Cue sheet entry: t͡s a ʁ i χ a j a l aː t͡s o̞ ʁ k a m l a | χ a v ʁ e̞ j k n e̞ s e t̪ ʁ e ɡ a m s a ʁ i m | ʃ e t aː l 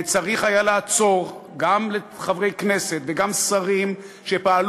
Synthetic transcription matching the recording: t͡s a ʁ i χ a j a l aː t͡s o̞ ʁ ɡ a m l e | χ a v ʁ e̞ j k n e̞ s e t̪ v e ɡ a m s a ʁ i m | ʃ e p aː l